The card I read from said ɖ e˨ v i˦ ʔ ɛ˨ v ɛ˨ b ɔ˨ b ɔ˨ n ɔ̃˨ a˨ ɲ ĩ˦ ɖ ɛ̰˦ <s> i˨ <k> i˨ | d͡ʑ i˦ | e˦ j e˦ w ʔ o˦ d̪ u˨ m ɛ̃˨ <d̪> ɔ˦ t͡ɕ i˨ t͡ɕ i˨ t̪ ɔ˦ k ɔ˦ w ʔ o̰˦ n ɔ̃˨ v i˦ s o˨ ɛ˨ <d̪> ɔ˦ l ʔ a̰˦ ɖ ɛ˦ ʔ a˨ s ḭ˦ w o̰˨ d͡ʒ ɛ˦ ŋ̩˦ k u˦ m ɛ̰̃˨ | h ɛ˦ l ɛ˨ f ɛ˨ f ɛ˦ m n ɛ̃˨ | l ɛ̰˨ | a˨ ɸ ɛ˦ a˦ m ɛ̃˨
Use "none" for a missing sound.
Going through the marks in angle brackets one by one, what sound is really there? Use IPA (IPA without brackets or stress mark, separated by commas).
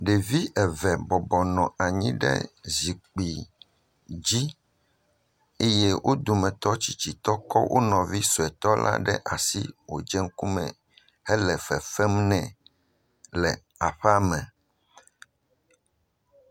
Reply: z, k͡p, t̪, t̪